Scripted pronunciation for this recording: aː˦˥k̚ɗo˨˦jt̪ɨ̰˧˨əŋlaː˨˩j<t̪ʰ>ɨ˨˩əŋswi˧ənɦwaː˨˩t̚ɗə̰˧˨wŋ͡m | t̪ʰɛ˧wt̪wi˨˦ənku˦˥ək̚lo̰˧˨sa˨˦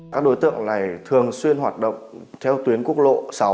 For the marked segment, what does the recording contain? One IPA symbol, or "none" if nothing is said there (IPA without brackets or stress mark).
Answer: t̪ʰ